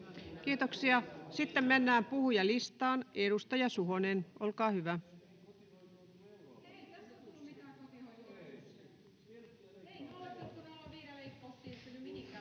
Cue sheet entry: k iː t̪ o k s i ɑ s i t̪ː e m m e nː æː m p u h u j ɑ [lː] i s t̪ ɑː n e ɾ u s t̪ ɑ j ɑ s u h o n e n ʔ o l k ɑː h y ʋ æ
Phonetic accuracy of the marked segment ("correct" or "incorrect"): incorrect